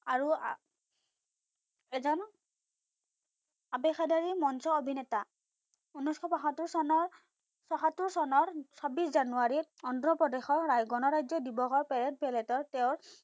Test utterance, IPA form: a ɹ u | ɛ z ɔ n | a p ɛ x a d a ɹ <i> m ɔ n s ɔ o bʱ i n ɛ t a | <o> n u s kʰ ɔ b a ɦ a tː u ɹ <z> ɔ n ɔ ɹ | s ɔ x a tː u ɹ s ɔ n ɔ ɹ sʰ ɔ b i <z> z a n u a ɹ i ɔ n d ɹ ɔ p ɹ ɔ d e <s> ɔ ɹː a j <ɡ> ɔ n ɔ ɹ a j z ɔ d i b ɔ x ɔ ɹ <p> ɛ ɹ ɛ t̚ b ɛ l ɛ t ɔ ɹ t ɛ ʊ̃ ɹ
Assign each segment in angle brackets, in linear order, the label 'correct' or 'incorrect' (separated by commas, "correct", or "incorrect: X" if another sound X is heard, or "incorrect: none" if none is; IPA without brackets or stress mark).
correct, incorrect: u, incorrect: s, incorrect: s, incorrect: x, correct, correct